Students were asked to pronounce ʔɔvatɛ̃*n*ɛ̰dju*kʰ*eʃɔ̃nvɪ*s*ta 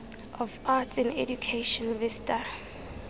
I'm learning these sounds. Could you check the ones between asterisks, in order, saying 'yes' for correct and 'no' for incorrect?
yes, yes, yes

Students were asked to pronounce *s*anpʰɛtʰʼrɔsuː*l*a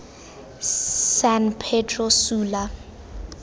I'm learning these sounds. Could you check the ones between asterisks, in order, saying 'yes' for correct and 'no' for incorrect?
yes, yes

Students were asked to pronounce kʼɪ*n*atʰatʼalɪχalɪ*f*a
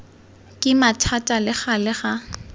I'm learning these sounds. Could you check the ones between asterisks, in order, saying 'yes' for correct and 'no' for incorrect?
no, no

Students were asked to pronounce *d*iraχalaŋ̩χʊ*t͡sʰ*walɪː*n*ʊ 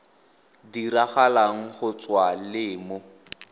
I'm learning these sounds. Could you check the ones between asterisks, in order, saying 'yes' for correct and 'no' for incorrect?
yes, no, no

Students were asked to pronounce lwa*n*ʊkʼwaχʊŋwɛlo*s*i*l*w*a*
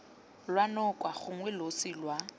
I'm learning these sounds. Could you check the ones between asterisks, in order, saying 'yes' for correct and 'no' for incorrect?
yes, yes, yes, yes

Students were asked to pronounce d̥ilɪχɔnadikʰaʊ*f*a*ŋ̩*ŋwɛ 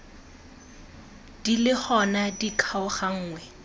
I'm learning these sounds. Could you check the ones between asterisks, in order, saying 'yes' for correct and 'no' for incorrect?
no, no

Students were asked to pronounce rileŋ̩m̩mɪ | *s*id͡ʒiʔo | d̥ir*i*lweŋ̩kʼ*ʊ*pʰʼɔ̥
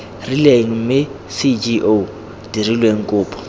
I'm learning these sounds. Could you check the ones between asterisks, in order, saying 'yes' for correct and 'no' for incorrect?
yes, yes, no

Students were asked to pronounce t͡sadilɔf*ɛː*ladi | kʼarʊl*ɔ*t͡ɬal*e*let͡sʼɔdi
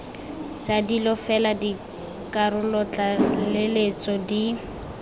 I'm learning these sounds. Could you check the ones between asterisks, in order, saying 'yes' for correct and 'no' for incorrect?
no, yes, yes

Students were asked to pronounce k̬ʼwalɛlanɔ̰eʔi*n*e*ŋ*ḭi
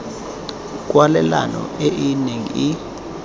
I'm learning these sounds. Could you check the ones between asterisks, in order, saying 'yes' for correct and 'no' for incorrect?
yes, yes

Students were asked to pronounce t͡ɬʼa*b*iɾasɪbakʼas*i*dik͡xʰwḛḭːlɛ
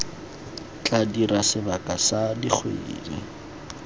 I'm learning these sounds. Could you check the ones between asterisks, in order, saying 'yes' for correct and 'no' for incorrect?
no, no

